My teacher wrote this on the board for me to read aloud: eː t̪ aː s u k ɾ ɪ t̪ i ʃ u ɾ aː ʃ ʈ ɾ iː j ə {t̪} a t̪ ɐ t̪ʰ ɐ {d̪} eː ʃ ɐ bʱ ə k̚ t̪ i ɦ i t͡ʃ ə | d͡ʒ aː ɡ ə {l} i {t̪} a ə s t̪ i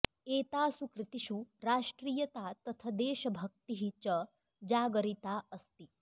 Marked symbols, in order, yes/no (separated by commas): yes, yes, no, yes